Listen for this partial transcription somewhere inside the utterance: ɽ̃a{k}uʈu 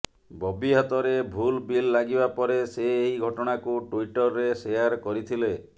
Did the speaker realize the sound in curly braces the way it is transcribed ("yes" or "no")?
yes